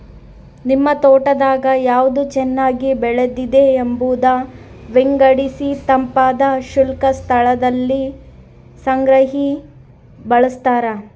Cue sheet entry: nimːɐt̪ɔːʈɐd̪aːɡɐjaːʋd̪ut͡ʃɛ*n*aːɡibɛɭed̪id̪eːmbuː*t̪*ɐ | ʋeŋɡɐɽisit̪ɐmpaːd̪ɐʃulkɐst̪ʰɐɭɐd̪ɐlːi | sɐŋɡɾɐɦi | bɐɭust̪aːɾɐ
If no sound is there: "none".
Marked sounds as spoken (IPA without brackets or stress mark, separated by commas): nː, d̪